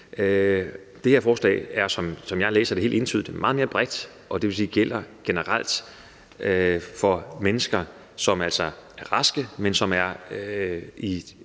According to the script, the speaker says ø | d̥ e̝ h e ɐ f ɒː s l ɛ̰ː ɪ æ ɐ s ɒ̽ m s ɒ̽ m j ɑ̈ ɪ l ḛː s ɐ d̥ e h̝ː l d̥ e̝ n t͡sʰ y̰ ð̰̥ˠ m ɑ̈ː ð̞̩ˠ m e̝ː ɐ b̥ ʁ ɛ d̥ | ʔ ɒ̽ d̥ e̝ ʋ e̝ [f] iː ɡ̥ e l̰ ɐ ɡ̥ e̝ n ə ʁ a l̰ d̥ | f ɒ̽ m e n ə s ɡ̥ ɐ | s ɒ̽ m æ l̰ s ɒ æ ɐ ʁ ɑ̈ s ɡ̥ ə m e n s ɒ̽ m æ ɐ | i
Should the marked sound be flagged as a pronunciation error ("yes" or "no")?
yes